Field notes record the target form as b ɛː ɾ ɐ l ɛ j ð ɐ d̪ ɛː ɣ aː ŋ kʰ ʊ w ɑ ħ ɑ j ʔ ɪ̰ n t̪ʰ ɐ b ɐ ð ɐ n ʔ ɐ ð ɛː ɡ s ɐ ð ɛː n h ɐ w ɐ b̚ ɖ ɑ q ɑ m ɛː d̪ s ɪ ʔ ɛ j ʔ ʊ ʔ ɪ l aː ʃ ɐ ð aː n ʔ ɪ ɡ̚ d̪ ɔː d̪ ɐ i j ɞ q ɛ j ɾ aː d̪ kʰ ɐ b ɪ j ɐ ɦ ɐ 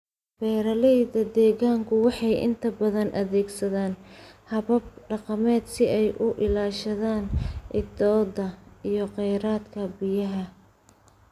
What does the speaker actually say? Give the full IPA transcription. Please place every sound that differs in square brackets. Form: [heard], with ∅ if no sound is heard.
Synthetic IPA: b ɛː ɾ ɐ l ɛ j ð ɐ d̪ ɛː ɣ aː ŋ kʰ ʊ w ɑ ħ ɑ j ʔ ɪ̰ n t̪ʰ ɐ b ɐ ð ɐ n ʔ ɐ ð ɛː ɡ s ɐ ð [aː] n h ɐ [β] ɐ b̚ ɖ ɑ q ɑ m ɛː d̪ s ɪ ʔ ɛ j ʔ ʊ ʔ ɪ l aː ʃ ɐ ð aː n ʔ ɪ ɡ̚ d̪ ɔː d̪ ɐ i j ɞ q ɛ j ɾ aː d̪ kʰ ɐ b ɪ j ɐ ɦ ɐ